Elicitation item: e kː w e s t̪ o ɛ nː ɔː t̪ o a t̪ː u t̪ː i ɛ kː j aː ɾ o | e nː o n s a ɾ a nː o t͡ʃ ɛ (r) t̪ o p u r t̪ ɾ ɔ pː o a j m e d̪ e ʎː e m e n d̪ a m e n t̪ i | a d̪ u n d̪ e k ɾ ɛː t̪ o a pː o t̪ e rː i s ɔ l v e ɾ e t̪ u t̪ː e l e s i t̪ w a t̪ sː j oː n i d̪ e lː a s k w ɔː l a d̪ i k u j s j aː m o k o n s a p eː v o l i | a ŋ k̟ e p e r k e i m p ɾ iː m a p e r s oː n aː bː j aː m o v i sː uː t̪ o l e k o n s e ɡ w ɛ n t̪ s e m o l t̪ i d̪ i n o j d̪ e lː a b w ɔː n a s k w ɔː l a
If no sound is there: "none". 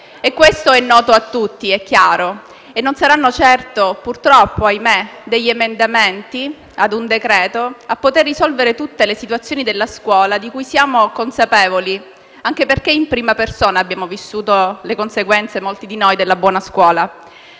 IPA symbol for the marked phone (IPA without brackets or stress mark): r